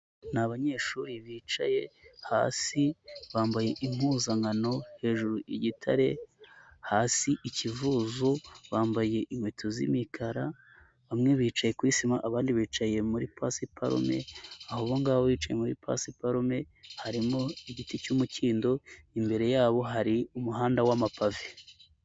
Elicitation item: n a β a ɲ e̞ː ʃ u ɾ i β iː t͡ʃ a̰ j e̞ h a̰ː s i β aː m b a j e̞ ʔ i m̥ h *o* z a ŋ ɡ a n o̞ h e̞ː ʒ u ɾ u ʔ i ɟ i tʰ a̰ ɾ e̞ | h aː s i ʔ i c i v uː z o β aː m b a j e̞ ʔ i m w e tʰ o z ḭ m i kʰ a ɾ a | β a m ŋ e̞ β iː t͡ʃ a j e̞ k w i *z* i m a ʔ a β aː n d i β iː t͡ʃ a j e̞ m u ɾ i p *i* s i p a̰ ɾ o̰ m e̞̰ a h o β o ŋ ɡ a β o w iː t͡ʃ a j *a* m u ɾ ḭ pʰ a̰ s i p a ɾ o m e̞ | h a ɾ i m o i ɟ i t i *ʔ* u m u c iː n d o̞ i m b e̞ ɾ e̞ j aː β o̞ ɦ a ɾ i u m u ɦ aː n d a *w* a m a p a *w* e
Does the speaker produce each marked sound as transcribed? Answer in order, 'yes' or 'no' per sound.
no, no, no, no, no, yes, no

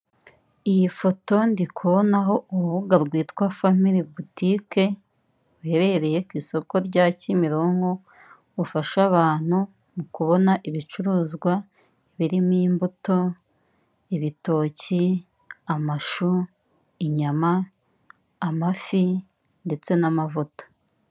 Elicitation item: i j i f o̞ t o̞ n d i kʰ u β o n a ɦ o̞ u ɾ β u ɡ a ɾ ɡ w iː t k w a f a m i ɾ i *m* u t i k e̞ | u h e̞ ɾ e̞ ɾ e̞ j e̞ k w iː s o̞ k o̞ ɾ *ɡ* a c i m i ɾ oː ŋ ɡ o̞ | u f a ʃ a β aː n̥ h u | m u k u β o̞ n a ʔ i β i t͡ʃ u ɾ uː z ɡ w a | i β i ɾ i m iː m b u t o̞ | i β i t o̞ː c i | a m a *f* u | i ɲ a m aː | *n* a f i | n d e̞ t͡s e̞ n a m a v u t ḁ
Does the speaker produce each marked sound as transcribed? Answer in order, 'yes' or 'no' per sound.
no, no, no, no

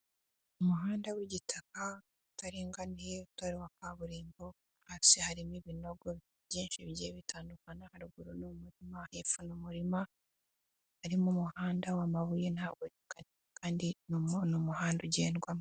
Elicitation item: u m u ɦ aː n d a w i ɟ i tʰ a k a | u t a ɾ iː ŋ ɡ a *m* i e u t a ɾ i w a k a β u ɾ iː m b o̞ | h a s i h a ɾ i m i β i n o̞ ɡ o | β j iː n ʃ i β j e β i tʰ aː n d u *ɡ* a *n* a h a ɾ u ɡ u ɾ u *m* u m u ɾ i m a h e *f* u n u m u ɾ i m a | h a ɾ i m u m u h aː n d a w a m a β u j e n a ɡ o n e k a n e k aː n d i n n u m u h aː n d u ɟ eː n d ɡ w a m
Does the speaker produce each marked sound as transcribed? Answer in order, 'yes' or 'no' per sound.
no, no, yes, no, yes

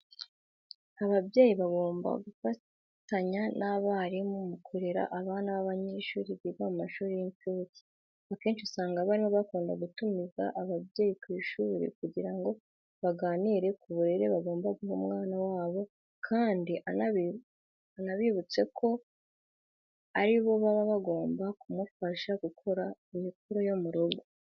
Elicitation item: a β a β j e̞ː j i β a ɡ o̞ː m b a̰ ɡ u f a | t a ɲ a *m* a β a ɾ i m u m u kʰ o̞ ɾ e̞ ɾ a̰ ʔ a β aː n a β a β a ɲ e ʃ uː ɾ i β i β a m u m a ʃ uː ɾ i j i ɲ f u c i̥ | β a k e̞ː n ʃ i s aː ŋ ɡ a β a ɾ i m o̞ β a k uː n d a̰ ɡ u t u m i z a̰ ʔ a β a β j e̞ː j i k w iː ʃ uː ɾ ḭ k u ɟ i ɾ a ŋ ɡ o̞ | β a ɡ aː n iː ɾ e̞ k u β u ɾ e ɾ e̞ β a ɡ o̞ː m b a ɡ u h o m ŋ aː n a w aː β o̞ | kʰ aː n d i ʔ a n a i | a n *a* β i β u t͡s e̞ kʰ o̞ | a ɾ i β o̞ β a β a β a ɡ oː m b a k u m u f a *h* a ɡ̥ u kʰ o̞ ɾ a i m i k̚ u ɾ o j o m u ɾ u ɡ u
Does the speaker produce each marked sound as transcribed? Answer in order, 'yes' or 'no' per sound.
no, yes, no

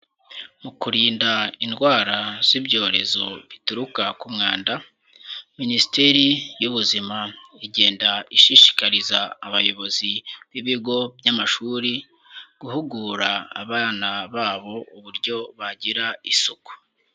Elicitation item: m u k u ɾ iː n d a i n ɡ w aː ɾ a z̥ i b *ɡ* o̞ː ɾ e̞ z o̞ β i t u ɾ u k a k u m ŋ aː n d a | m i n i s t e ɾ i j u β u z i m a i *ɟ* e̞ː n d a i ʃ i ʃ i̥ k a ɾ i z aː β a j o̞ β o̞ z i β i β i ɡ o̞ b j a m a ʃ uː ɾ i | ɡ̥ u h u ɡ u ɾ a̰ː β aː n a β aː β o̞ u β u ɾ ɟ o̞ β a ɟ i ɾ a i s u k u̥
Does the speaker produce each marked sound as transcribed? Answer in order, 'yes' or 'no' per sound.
no, yes

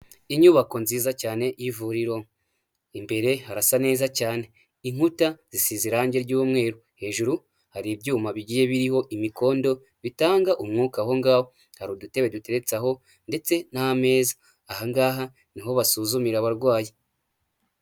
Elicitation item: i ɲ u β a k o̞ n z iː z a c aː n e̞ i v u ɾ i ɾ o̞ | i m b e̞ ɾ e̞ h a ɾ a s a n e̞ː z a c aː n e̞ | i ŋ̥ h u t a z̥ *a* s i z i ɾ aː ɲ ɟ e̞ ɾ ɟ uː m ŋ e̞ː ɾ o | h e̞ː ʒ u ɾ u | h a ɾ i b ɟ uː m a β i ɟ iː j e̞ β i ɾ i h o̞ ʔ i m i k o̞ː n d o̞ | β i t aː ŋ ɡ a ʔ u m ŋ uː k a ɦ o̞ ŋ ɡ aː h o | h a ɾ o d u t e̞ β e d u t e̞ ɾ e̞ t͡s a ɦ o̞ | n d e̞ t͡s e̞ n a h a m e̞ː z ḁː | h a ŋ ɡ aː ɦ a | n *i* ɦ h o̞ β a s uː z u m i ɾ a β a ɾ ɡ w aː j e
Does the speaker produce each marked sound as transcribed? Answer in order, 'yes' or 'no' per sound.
no, yes

